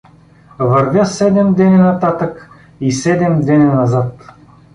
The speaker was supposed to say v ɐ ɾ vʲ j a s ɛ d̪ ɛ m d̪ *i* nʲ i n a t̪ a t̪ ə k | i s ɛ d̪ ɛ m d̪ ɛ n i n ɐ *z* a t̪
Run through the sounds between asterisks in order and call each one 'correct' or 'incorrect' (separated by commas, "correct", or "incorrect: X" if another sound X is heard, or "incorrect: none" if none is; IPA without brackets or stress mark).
incorrect: ɛ, correct